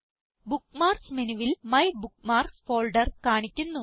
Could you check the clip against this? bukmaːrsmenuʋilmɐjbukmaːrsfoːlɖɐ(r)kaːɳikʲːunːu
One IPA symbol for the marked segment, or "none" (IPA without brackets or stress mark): r